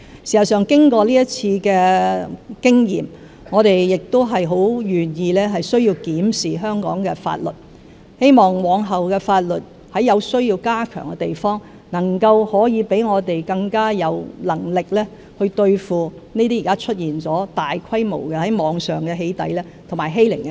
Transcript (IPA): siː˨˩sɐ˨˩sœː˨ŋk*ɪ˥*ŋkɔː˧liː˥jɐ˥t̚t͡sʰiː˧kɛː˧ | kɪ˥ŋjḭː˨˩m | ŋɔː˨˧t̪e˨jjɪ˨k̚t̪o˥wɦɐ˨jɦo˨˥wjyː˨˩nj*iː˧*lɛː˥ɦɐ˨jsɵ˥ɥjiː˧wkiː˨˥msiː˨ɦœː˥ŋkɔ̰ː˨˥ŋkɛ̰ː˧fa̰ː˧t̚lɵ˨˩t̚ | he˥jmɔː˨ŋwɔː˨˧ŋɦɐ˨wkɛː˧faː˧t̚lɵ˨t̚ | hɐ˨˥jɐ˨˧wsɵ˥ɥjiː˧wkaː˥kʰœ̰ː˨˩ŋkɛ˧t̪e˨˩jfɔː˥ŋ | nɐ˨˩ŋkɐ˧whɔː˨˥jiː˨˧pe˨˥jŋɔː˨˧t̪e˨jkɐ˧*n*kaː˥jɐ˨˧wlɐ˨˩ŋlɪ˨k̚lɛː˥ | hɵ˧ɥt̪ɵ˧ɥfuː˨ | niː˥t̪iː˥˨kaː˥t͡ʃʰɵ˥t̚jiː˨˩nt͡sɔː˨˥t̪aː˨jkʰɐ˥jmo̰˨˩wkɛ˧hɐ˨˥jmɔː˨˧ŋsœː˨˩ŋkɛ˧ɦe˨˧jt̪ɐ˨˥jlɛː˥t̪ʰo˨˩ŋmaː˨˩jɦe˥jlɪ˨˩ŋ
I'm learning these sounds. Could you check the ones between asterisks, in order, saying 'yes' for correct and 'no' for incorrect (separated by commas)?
yes, yes, no